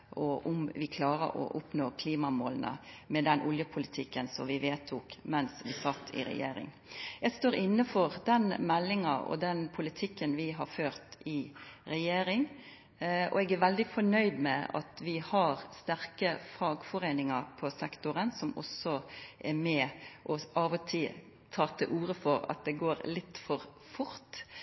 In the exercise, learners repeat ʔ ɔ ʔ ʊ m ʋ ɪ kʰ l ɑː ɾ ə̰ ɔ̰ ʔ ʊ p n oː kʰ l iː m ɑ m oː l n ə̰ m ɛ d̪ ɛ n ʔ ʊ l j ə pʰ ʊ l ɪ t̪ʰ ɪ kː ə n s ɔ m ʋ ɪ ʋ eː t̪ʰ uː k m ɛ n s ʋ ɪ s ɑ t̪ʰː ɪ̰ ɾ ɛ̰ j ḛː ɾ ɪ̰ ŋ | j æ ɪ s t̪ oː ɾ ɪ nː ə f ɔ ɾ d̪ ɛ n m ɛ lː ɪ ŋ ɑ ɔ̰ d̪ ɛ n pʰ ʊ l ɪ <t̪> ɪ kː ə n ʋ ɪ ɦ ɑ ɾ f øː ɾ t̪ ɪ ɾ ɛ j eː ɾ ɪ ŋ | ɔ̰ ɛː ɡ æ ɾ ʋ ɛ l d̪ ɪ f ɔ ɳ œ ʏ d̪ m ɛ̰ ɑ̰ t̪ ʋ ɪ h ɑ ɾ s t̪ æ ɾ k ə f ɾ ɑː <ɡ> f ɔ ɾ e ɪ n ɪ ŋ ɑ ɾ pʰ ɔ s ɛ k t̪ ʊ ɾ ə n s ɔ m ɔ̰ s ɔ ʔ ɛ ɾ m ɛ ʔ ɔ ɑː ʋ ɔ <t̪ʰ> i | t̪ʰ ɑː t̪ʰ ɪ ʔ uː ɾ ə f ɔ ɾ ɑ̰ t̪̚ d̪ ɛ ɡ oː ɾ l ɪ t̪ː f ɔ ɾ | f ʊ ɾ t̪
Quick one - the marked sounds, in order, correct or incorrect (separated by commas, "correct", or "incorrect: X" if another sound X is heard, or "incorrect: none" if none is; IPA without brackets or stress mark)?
incorrect: t̪ʰ, correct, correct